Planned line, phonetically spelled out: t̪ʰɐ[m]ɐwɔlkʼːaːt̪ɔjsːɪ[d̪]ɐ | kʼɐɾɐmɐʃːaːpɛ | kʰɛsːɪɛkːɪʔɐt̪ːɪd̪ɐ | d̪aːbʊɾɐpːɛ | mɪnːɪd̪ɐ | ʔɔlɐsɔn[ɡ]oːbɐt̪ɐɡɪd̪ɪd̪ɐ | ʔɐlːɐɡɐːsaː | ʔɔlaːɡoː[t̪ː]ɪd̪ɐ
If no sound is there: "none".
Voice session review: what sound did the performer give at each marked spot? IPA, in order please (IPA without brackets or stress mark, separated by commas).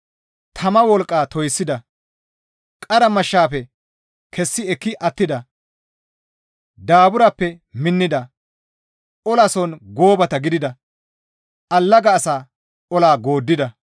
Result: m, d̪, ɡ, d̪ː